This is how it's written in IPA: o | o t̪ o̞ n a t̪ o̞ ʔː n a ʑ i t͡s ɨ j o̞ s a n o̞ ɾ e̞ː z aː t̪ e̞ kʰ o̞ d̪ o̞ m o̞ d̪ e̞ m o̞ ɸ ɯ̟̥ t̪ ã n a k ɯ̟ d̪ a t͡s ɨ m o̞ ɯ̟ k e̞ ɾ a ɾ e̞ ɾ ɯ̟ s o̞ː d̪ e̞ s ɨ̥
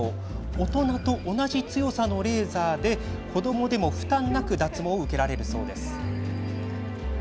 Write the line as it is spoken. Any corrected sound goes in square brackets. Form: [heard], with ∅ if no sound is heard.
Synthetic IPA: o | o t̪ o̞ n a t̪ o̞ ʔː n a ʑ i t͡s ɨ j o̞ s a n o̞ ɾ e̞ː z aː [d̪] e̞ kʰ o̞ d̪ o̞ m o̞ d̪ e̞ m o̞ ɸ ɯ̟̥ t̪ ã [nː] a k ɯ̟ d̪ a t͡s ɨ m o̞ ɯ̟ k e̞ ɾ a ɾ e̞ ɾ ɯ̟ s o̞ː d̪ e̞ s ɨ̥